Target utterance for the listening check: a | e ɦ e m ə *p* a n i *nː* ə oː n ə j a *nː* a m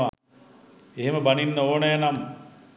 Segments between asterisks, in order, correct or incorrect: incorrect, correct, incorrect

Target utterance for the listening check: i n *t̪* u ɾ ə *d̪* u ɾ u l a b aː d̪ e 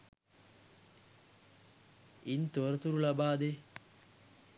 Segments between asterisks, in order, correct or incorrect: correct, incorrect

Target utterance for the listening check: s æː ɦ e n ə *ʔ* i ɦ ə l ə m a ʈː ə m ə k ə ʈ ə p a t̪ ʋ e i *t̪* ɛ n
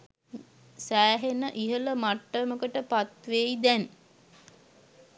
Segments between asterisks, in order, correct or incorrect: correct, incorrect

